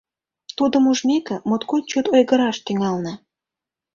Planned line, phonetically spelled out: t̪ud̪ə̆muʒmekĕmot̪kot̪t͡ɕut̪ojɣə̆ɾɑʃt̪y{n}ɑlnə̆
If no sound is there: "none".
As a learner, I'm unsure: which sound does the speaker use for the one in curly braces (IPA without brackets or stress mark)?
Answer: ŋ